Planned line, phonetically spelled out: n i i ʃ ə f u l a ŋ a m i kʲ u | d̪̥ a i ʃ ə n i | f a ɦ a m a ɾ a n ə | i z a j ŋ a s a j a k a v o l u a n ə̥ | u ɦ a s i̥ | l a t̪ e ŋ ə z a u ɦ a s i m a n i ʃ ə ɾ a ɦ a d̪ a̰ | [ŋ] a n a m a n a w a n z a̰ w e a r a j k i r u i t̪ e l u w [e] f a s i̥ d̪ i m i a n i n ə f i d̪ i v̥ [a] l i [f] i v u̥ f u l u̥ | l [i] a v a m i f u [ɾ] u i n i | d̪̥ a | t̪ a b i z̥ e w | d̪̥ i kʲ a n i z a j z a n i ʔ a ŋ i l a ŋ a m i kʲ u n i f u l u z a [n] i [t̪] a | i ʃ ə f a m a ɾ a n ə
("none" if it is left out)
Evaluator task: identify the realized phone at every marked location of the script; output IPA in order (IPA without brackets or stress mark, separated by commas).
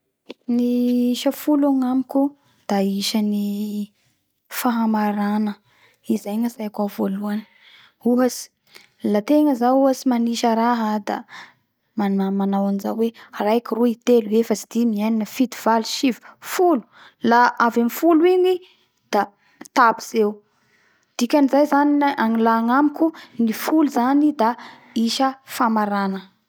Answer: m, e, a, ʃ, a, l, n, d̪